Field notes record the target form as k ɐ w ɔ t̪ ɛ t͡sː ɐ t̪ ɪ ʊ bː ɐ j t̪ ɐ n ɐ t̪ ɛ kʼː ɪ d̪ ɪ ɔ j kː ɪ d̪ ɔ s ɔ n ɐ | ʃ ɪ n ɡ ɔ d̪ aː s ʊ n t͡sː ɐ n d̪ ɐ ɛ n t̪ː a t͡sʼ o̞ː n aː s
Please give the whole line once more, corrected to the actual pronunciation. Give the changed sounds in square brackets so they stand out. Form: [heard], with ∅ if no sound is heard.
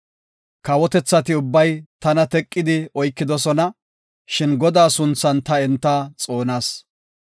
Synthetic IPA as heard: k ɐ w ɔ t̪ ɛ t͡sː ɐ t̪ ɪ ʊ bː ɐ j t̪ ɐ n ɐ t̪ ɛ kʼː ɪ d̪ ɪ ɔ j kː ɪ d̪ ɔ s ɔ n ɐ | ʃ ɪ n ɡ ɔ d̪ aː s ʊ n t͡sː ɐ n [t̪] ɐ ɛ n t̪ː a t͡sʼ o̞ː n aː s